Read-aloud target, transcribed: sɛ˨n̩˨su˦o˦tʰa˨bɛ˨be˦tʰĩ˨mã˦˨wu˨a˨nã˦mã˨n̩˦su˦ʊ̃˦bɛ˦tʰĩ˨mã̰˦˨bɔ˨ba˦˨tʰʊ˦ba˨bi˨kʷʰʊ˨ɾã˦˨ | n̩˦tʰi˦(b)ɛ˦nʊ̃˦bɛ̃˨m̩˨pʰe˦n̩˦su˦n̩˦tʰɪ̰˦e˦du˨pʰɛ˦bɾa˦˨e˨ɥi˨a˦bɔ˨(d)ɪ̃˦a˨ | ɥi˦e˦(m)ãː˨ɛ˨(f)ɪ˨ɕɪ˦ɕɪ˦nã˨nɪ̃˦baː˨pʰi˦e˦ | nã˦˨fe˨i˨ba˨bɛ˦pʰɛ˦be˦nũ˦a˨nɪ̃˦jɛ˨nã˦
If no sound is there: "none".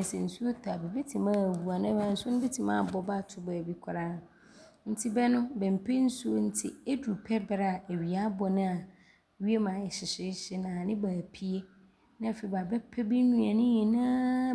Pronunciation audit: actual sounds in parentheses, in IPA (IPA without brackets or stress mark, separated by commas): b, n, m, ɕ